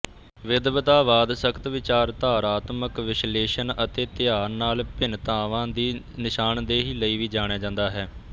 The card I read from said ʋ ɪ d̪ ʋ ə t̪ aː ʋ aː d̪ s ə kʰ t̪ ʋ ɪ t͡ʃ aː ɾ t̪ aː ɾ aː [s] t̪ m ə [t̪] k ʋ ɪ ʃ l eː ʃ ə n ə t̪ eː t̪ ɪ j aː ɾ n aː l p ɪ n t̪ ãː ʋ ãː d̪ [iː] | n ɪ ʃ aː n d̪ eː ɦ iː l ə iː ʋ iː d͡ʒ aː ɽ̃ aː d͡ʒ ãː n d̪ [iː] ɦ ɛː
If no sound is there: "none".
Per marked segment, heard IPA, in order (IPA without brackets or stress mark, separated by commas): none, none, iː, aː